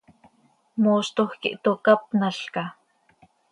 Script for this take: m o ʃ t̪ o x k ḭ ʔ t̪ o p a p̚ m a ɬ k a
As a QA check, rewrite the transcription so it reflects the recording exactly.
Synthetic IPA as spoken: m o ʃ t̪ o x k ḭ ʔ t̪ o k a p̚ n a ɬ k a

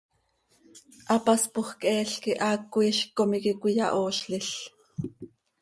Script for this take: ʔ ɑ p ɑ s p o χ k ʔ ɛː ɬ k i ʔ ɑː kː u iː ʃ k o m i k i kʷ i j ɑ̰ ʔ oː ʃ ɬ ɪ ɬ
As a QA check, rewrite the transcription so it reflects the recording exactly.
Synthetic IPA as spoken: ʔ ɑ p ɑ s p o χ k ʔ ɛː ɬ k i ʔ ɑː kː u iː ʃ k o m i k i kʷ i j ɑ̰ ʔ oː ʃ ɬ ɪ ɬ

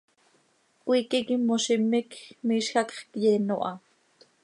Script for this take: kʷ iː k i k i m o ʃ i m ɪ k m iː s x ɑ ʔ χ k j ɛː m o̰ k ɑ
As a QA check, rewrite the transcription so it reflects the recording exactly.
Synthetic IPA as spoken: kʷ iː k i k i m o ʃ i m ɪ k m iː ʃ x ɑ k χ k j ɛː n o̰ ʔ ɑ

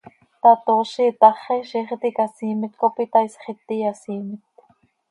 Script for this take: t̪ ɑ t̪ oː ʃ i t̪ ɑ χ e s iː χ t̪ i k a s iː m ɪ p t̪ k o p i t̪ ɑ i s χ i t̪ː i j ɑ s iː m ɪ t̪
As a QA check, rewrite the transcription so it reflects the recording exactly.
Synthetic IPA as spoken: t̪ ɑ t̪ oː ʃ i t̪ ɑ χ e ʃ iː χ t̪ i k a s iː m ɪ t̪ k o p i t̪ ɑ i s χ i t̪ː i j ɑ s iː m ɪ t̪

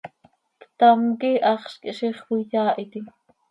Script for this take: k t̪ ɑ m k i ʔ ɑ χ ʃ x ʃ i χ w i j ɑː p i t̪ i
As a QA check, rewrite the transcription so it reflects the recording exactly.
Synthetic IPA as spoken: k t̪ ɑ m k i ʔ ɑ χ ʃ k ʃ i χ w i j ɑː ʔ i t̪ i

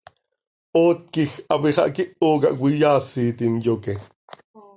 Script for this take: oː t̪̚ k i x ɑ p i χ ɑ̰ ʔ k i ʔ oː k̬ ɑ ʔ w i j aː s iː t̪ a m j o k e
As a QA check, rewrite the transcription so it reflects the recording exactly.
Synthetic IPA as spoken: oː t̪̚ k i x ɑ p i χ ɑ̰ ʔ k i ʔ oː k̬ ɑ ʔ w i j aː s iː t̪ i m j o k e

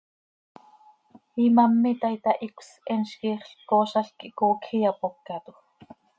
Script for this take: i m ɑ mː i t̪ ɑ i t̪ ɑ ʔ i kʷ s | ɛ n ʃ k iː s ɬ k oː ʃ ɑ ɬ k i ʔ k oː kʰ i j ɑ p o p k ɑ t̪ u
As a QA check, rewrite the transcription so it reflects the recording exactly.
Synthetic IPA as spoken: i m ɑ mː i t̪ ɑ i t̪ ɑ ʔ i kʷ s | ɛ n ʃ k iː χ ɬ k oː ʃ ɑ ɬ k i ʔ k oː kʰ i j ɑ p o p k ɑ t̪ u

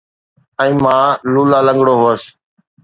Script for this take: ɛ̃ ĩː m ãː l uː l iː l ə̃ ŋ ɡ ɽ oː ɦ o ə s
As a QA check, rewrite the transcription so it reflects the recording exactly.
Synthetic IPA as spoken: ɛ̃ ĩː m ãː l uː l aː l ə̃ ŋ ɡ ɽ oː ɦ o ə s

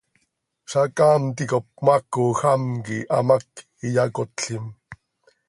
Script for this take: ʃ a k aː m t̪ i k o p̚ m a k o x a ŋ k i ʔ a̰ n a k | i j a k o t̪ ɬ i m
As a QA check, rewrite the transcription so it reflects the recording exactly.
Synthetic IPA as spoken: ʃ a k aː m t̪ i k o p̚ m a k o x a m k i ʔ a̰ m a k | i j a k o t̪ ɬ i m

